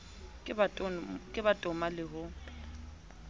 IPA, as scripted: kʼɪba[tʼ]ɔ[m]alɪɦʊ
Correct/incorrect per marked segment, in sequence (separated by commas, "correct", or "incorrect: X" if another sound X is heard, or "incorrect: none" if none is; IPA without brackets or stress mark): correct, correct